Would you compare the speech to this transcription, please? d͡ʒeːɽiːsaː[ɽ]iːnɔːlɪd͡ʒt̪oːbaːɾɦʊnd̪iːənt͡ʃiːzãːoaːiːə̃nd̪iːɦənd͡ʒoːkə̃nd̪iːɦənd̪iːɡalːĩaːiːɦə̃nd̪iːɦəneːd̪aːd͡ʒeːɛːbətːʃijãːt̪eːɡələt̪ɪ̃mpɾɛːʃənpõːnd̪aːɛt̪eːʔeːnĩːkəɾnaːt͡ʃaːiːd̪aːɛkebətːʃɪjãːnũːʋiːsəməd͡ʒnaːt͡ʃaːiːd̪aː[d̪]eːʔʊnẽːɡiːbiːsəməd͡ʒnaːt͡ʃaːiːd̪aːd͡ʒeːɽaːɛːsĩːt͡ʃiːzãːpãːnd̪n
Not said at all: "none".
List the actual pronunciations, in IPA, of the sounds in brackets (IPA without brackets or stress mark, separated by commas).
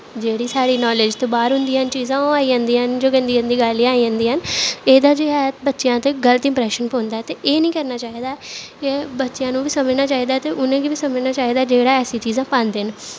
ɽ, t̪